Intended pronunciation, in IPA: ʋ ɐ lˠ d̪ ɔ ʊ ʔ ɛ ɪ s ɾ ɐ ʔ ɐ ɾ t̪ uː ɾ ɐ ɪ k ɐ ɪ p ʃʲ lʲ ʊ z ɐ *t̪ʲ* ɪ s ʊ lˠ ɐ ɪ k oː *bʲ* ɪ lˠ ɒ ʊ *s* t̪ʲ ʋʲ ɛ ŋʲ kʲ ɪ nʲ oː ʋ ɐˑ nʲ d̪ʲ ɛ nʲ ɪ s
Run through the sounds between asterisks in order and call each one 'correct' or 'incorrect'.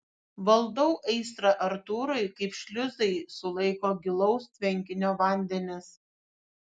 incorrect, incorrect, correct

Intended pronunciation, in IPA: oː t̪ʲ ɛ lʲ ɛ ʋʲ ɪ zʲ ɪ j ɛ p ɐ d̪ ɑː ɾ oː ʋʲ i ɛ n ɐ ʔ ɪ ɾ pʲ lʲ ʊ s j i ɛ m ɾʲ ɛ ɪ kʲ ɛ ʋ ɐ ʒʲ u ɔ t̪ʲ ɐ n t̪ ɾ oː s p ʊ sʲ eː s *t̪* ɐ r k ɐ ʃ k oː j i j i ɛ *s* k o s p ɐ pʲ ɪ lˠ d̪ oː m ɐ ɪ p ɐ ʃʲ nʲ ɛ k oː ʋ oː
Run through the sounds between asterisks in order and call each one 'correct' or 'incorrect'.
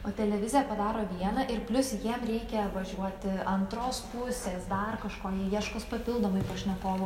incorrect, incorrect

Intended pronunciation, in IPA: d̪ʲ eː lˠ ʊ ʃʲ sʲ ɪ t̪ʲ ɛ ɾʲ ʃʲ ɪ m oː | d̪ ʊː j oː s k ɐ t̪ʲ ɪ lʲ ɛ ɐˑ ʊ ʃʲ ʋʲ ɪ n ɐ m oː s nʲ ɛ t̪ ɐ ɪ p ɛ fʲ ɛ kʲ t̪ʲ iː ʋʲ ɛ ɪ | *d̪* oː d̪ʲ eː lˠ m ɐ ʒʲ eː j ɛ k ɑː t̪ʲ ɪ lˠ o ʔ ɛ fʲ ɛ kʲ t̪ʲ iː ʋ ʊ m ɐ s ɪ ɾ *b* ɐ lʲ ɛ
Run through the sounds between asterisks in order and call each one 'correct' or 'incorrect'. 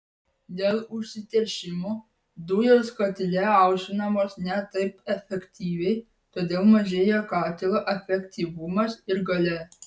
incorrect, incorrect

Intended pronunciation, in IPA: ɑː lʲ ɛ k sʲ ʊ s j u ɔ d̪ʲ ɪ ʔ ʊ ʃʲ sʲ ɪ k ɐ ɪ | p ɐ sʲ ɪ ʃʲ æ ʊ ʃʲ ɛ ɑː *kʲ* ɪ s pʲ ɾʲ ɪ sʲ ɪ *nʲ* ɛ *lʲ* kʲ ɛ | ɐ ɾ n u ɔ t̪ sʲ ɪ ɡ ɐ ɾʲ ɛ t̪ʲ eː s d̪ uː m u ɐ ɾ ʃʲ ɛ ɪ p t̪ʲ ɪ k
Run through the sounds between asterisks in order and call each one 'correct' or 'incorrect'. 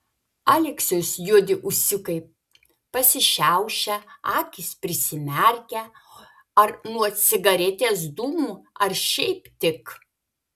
correct, incorrect, incorrect

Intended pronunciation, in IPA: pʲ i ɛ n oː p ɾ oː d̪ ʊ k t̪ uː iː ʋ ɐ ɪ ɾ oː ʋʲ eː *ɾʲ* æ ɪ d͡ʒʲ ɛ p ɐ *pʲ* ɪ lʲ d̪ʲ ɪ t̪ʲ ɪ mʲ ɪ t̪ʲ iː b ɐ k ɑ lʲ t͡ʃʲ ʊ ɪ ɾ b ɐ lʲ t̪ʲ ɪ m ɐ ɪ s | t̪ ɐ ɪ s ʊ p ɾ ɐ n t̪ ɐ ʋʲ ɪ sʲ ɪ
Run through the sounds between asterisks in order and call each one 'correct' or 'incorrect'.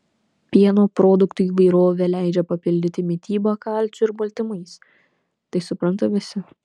incorrect, correct

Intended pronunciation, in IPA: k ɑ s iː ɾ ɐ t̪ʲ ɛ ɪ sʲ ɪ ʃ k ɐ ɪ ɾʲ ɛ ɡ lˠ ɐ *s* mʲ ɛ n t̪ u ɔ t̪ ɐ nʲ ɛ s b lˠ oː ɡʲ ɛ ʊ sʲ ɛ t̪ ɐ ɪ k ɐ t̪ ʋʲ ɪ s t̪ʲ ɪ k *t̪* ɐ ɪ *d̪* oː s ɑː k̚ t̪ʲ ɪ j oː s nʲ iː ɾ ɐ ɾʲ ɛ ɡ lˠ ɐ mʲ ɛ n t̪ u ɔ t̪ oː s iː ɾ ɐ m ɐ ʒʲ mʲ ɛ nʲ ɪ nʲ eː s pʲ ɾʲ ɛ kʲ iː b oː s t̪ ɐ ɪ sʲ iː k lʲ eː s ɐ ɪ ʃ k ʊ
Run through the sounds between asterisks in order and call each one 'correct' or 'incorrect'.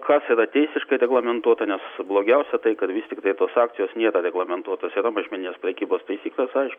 incorrect, correct, incorrect

